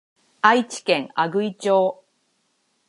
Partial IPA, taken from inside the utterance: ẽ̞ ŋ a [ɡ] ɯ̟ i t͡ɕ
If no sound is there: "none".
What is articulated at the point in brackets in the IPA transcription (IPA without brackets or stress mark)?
ɡ